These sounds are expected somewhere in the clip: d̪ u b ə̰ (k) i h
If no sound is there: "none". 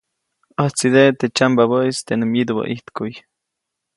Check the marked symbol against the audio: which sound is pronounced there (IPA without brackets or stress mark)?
ʔ